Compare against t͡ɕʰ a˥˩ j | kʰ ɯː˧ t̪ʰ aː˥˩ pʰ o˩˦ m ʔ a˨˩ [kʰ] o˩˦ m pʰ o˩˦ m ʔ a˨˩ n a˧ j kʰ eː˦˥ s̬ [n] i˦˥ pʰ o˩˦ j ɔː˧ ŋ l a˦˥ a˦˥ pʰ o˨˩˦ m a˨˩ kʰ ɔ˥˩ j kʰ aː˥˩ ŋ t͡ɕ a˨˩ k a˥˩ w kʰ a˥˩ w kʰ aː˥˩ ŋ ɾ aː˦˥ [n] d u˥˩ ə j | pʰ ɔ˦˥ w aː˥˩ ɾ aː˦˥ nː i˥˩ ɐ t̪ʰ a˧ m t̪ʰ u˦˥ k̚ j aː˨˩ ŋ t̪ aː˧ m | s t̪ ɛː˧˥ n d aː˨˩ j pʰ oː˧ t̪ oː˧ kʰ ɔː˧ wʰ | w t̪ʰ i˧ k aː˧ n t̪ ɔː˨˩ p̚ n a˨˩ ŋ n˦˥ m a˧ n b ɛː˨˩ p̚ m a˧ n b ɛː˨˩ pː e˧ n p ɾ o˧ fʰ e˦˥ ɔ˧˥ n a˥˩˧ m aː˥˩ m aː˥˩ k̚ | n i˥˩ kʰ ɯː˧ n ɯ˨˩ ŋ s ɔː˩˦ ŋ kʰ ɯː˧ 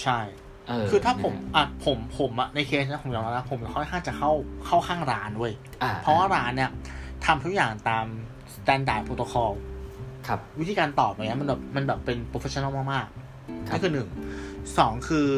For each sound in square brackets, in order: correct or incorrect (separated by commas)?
incorrect, correct, correct